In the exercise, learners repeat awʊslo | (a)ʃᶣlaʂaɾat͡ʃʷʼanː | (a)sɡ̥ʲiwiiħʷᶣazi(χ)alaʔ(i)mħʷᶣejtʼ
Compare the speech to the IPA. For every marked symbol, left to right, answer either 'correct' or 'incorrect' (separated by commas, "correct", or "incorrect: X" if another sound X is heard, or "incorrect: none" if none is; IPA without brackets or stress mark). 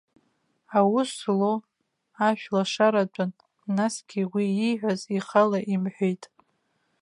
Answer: correct, correct, correct, correct